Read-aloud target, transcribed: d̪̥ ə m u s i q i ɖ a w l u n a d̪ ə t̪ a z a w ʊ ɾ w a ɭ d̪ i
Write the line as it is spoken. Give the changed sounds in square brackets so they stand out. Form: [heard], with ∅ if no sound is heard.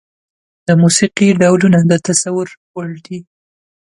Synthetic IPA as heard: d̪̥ ə m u s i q i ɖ a w l u n a d̪ ə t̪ a [s] a w ʊ ɾ w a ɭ d̪ i